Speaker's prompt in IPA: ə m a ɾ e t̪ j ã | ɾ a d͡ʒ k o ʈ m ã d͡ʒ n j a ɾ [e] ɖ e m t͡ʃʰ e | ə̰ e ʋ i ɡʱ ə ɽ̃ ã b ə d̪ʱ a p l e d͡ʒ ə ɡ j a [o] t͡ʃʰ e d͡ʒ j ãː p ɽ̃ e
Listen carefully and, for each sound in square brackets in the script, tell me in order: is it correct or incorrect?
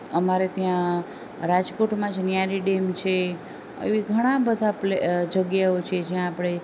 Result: incorrect: i, correct

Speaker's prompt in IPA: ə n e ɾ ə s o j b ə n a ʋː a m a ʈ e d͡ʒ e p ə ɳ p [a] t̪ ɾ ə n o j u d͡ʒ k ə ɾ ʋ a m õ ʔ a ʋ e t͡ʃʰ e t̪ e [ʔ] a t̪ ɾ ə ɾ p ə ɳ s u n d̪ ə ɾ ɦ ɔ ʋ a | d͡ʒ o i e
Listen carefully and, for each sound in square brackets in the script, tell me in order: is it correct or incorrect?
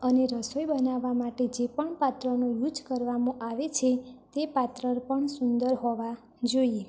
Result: correct, incorrect: p

